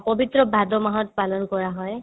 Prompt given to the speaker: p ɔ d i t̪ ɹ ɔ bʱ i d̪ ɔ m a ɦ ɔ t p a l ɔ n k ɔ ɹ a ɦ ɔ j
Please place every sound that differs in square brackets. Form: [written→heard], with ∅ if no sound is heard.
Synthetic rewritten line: p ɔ [d→b] i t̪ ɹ ɔ bʱ [i→a] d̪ ɔ m a ɦ ɔ t p a l ɔ n k ɔ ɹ a ɦ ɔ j

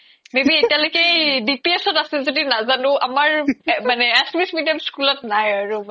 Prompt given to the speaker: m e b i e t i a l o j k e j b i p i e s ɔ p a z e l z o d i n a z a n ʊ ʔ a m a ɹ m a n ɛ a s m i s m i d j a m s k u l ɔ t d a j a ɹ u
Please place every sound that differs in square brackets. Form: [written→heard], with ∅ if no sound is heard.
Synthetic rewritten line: m e b i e t i a l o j k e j [b→d] i p i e s ɔ [p→t] a [z→s] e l z o d i n a z a n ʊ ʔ a m a ɹ m a n ɛ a s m i s m i d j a m s k u l ɔ t [d→n] a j a ɹ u

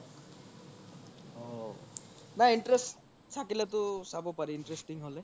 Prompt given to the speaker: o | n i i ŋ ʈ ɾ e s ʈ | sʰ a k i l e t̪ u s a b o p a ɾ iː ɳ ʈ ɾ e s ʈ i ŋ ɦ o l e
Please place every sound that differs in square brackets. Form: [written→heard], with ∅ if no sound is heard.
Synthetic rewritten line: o | n [i→a] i [ŋ→ɳ] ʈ ɾ e s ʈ | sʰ a k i l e t̪ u s a b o p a ɾ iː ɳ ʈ ɾ e s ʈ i ŋ ɦ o l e

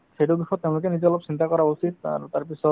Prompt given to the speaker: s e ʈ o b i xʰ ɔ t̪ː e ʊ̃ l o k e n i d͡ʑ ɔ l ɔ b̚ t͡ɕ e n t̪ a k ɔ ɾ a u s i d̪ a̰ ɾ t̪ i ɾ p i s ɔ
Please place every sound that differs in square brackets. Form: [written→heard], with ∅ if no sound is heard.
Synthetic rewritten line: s e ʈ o b i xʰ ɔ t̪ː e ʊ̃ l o k e n i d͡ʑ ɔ l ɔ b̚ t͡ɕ [e→i] n t̪ a k ɔ ɾ a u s i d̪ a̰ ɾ t̪ [i→a] ɾ p i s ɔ

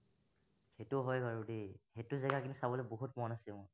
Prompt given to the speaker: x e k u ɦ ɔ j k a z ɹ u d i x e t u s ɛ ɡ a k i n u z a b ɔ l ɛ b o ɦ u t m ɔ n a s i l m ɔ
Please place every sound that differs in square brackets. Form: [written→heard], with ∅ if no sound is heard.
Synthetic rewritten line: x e [k→t] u ɦ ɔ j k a [z→∅] ɹ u d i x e t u [s→z] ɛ ɡ a k i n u [z→s] a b ɔ l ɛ b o ɦ u t m ɔ n a s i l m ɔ

